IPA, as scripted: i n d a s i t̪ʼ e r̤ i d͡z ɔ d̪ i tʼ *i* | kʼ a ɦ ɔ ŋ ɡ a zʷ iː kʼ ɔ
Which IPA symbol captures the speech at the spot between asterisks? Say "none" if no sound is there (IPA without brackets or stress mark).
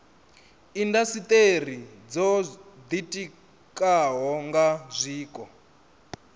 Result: i